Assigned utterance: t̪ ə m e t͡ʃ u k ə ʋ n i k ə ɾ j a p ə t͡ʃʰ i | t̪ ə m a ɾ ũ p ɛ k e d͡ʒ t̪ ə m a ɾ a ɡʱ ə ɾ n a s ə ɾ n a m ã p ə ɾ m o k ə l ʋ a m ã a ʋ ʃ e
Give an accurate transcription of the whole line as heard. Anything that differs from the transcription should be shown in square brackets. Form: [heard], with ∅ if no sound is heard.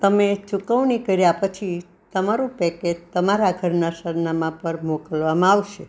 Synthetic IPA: t̪ ə m e t͡ʃ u k ə ʋ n i k ə ɾ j a p ə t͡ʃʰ i | t̪ ə m a ɾ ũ p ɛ k e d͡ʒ t̪ ə m a ɾ a ɡʱ ə ɾ n a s ə ɾ n a m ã p ə ɾ m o k ə l ʋ a m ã a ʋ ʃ e